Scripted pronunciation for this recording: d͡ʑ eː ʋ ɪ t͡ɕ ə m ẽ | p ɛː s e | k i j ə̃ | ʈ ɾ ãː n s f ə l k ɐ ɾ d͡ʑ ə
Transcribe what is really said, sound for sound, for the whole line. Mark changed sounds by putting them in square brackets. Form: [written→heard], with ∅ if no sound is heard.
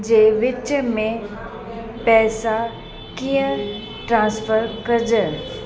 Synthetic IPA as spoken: d͡ʑ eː ʋ ɪ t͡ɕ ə m ẽ | p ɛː s [e→a] | k i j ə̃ | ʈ ɾ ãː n s f ə [l→ɾ] k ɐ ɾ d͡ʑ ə